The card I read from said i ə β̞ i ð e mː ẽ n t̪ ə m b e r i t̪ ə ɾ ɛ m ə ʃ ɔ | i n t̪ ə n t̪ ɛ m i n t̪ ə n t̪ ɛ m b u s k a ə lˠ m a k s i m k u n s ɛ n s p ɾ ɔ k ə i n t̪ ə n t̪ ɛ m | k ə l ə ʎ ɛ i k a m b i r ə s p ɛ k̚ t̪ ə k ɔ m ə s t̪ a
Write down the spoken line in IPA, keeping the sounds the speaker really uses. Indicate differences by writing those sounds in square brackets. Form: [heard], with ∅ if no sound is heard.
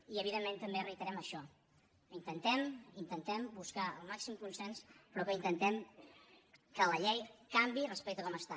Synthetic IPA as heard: i ə β̞ i ð e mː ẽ n t̪ ə m b e r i t̪ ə ɾ ɛ m ə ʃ ɔ | i n t̪ ə n t̪ ɛ m i n t̪ ə n t̪ ɛ m b u s k a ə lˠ m a k s i m k u n s ɛ n s p ɾ ɔ k ə i n t̪ ə n t̪ ɛ m | k ə l ə ʎ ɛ [j] k a m b i r ə s p ɛ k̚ t̪ ə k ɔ m ə s t̪ a